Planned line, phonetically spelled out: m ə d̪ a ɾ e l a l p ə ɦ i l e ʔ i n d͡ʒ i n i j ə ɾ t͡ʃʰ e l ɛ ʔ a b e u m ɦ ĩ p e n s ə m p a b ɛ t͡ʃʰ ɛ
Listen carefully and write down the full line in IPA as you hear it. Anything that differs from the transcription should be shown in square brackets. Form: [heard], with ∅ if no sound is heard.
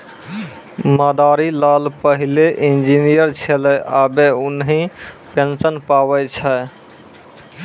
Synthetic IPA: m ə d̪ a ɾ [i] l a l p ə ɦ i l e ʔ i n d͡ʒ i n i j ə ɾ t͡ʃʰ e l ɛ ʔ a b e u [n] ɦ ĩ p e n s ə [n] p a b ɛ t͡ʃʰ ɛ

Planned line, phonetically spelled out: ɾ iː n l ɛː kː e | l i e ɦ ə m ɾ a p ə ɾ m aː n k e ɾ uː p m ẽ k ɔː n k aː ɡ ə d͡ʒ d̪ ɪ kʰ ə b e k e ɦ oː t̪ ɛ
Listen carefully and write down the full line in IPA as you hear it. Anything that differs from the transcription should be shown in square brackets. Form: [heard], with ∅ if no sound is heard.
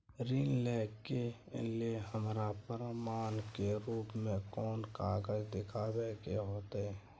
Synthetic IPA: ɾ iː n l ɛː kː e | l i e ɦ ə m ɾ a p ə ɾ m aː n k e ɾ uː p m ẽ k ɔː n k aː ɡ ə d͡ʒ d̪ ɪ kʰ [a] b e k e ɦ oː t̪ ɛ

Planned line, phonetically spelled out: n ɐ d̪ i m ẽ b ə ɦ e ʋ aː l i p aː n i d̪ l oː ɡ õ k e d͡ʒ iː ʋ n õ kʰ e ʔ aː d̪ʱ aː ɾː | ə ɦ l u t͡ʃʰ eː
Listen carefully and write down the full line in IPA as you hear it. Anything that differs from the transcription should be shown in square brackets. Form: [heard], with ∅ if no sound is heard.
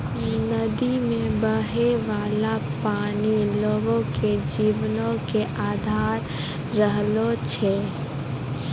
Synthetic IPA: n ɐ d̪ i m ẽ b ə ɦ e ʋ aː l [a] p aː n i [∅] l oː ɡ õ k e d͡ʒ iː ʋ n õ [k] e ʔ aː d̪ʱ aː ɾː | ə ɦ l [o] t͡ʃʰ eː

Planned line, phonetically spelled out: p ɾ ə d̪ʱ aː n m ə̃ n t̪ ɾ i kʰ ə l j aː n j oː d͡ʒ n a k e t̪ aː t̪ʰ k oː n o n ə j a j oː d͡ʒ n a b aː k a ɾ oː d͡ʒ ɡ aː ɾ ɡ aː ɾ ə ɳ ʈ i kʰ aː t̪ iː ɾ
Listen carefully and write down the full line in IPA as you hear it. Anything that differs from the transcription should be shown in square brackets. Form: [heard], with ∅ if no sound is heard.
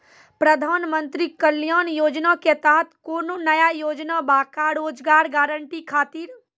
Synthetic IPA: p ɾ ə d̪ʱ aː n m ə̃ n t̪ ɾ i [k] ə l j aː n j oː d͡ʒ n a k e t̪ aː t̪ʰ k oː n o n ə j a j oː d͡ʒ n a b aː k a ɾ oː d͡ʒ ɡ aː ɾ ɡ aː ɾ ə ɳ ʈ i kʰ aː t̪ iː ɾ

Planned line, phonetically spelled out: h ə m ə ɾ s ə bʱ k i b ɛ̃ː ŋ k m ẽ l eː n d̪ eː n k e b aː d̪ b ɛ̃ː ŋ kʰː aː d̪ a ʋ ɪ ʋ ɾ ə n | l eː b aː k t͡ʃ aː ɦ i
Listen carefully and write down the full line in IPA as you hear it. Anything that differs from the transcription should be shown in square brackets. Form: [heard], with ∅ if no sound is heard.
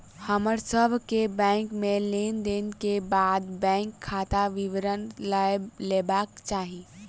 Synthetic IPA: h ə m ə ɾ s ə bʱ k [e] b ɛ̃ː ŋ k m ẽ l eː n d̪ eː n k e b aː d̪ b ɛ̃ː ŋ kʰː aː [t̪] a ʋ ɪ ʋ ɾ ə n | l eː b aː k t͡ʃ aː ɦ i

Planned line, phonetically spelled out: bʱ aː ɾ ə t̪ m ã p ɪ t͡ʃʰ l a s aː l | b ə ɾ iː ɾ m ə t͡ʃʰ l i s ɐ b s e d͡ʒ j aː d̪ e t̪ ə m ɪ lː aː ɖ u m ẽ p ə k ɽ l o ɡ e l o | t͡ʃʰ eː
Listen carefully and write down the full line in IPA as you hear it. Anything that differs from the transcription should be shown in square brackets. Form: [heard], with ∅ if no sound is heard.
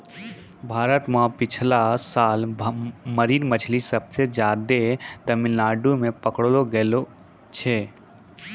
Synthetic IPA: bʱ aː ɾ ə t̪ m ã p ɪ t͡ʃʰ l a s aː l | [m] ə ɾ iː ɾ m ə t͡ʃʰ l i s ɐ b s e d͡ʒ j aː d̪ e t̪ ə m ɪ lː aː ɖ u m ẽ p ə k ɽ l o ɡ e l o | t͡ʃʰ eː

